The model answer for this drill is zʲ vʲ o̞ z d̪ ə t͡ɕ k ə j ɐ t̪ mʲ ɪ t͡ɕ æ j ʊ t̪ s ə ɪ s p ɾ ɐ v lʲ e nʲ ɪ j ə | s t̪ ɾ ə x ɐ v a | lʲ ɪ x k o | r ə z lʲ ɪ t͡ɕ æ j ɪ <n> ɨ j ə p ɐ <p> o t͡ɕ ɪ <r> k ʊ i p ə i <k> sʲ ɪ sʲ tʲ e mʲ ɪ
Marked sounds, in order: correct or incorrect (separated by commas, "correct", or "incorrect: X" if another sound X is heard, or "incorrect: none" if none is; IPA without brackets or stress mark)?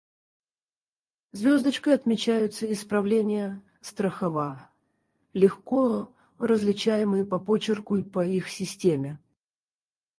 incorrect: m, correct, correct, incorrect: x